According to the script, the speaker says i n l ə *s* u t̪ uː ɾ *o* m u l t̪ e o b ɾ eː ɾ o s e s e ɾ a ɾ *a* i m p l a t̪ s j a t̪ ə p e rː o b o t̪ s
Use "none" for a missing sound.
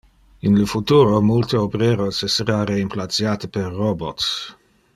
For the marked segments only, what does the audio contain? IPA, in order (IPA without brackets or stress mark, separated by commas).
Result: f, o, e